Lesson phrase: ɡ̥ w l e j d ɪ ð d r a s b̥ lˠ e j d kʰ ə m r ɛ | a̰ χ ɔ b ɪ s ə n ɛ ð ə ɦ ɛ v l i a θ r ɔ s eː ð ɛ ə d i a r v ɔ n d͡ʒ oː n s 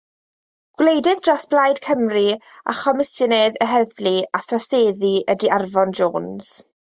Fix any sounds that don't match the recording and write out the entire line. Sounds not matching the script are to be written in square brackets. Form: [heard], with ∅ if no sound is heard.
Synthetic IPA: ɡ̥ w l e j d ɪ ð d r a s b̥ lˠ [a] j d kʰ ə m r [i] | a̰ χ ɔ [m] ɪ s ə n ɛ ð ə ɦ ɛ [ð] l i a θ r ɔ s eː ð [i] ə d i a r v ɔ n d͡ʒ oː n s